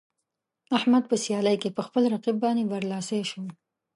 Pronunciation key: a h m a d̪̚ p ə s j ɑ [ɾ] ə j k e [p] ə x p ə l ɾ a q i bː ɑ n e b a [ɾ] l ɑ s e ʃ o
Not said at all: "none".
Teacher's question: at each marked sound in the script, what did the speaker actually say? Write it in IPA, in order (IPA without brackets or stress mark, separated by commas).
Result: l, p, ɾ